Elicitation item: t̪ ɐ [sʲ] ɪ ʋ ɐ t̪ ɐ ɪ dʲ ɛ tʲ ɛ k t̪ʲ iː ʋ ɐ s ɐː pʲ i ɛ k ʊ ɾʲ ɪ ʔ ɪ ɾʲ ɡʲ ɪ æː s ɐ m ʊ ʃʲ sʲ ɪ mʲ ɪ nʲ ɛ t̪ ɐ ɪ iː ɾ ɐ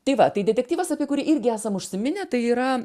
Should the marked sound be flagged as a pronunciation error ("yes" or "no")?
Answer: yes